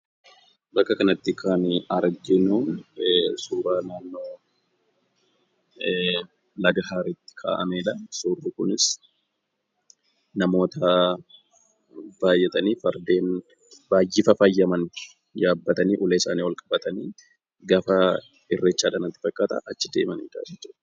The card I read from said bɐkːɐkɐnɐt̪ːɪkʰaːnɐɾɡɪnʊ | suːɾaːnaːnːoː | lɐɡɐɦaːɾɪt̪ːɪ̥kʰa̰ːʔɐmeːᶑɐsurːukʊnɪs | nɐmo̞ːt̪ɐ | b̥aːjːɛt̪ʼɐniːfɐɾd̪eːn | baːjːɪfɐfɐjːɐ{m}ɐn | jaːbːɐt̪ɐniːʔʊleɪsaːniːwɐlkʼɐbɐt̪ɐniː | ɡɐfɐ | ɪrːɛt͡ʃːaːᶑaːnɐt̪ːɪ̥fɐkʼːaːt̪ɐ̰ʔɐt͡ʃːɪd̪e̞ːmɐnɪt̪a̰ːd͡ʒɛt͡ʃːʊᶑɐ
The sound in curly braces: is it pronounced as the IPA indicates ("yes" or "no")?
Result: yes